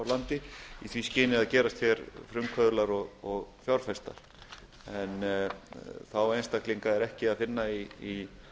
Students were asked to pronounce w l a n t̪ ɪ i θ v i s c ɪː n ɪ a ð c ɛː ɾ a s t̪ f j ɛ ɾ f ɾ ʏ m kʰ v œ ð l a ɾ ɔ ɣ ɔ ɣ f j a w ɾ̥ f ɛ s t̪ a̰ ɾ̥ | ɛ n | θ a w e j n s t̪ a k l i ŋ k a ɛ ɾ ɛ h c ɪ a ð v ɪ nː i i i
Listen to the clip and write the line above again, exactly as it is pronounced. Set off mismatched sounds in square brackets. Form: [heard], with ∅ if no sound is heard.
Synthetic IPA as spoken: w l a n t̪ ɪ i θ v i s c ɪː n ɪ a ð c ɛː ɾ a s t̪ f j ɛ ɾ f ɾ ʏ m kʰ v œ ð l a ɾ ɔ ɣ ɔ ɣ f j a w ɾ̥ f ɛ s t̪ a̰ ɾ̥ | ɛ n | θ a w e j n s t̪ a k l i ŋ k a ɛ ɾ ɛ h c ɪ a ð [f] ɪ nː [a] i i